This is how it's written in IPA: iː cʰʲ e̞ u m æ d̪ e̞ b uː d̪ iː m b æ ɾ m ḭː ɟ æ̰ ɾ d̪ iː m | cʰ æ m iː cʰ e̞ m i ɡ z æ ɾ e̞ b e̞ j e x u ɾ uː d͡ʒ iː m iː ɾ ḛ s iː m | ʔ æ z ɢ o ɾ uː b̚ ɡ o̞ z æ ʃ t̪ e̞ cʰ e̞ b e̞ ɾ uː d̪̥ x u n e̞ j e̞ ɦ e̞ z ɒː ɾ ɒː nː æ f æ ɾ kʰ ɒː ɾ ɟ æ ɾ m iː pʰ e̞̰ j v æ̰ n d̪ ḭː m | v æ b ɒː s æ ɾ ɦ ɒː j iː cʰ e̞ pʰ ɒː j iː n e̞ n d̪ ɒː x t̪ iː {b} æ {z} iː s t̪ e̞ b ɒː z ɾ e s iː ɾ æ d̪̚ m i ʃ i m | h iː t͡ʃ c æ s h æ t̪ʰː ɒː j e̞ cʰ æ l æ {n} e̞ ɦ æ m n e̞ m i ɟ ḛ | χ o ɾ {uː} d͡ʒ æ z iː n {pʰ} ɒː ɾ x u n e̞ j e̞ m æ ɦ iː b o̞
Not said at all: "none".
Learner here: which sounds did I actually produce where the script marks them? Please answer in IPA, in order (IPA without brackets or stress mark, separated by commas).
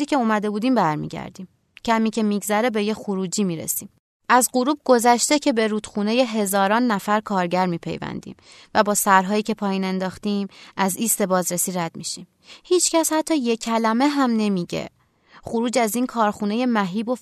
m, z, m, uː, kʰ